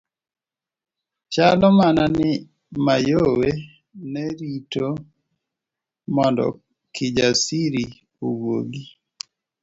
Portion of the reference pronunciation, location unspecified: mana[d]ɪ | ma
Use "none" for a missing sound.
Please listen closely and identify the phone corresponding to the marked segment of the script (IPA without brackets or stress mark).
n